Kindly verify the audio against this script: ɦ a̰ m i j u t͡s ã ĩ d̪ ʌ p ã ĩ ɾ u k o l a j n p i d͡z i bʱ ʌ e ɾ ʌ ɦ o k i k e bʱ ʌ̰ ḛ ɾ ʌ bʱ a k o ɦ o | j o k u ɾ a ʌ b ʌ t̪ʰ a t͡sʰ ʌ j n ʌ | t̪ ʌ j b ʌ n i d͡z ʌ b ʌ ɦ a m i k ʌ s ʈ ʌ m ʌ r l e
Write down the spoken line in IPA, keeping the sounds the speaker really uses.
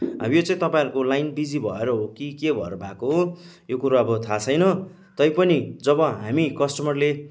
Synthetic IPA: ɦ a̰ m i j o t͡s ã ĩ t̪ ʌ p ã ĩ ɾ u k o l a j n b i d͡z i bʱ ʌ e ɾ ʌ ɦ o k i k e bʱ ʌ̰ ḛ ɾ ʌ bʱ a k o ɦ o | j o k u ɾ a ʌ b ʌ t̪ʰ a t͡sʰ ʌ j n ʌ | t̪ ʌ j p ʌ n i d͡z ʌ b ʌ ɦ a m i k ʌ s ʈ ʌ m ʌ r l e